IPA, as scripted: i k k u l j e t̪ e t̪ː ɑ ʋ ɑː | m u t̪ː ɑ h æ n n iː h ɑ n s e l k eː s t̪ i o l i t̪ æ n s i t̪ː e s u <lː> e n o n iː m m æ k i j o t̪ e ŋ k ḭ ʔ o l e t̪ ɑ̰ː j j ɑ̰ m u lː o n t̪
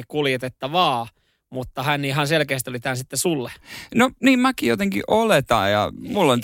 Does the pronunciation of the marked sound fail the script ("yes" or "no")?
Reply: no